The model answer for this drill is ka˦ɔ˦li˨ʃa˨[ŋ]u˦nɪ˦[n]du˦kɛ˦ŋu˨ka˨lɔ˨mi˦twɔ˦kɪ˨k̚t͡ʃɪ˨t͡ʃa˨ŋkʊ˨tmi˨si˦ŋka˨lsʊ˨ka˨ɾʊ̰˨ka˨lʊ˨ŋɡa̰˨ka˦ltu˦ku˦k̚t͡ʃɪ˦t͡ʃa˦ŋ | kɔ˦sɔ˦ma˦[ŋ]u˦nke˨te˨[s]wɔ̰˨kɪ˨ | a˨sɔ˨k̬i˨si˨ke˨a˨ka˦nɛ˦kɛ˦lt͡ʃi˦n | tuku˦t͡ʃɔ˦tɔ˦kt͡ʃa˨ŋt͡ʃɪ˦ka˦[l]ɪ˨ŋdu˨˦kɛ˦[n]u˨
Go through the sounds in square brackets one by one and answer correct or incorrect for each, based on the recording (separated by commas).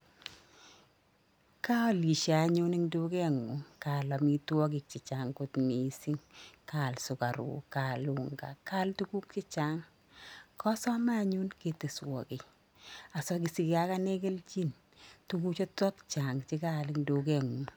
incorrect, incorrect, incorrect, correct, correct, incorrect